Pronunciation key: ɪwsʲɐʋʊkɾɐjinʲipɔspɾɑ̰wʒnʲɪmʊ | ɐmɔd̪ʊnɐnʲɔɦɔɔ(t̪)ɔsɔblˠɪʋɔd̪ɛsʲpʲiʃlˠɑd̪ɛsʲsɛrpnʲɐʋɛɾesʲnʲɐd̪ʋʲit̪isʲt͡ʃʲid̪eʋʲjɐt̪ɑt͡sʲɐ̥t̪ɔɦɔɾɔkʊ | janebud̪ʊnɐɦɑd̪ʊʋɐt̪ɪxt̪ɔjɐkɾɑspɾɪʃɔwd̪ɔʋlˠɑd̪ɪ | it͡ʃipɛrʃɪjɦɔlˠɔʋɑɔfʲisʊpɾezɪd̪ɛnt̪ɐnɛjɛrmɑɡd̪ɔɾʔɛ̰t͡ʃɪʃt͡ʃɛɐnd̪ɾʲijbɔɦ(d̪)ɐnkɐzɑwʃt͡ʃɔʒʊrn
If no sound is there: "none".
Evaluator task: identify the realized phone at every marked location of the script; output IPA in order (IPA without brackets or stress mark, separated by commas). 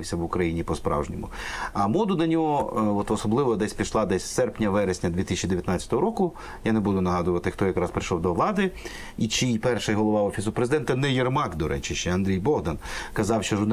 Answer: t̪, d̪